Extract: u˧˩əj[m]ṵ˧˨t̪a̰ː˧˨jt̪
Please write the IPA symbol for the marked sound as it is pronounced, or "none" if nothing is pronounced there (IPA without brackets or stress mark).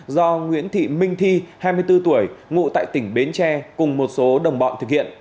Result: ŋ